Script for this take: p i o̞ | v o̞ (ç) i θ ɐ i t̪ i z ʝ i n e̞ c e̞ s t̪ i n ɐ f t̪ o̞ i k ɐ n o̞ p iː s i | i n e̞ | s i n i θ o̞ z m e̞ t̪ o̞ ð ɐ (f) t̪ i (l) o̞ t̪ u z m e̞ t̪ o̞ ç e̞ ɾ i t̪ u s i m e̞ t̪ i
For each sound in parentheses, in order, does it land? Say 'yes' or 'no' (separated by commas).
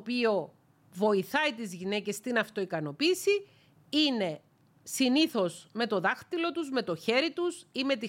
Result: no, no, yes